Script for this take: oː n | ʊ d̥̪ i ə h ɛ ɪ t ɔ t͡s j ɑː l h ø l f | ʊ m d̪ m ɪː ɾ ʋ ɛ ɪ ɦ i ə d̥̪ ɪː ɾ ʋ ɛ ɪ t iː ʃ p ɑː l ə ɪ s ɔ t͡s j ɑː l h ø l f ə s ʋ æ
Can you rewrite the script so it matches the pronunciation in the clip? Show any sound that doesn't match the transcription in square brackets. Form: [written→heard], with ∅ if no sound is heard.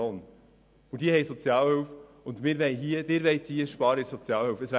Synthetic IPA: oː n | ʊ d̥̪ i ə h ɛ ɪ [t→s] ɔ t͡s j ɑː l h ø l f | ʊ [m→n] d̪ m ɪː ɾ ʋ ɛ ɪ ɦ i ə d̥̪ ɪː ɾ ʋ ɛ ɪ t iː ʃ p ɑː [l→ɾ] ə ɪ s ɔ t͡s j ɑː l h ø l f ə s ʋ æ